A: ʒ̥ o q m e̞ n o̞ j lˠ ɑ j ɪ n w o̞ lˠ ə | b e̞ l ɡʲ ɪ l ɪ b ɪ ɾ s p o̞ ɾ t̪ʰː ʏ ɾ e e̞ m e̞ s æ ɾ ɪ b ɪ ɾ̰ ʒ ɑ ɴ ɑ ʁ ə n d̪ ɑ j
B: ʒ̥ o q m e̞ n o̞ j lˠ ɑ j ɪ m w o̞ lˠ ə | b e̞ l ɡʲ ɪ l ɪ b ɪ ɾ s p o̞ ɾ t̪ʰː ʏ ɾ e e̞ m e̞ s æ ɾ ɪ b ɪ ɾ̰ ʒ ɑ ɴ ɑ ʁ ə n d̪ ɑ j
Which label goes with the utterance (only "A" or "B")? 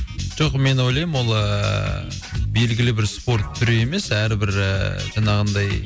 B